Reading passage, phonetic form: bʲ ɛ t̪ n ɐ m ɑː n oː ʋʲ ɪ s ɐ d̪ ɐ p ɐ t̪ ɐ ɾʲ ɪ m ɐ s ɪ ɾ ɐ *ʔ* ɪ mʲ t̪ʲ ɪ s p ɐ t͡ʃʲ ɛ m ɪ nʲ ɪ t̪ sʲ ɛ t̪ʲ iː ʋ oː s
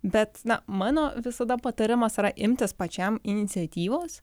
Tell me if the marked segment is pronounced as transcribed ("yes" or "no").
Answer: yes